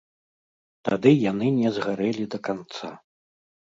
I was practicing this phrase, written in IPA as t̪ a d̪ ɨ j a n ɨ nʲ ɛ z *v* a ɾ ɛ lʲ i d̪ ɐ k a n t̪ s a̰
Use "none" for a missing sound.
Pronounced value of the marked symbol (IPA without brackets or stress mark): ɣ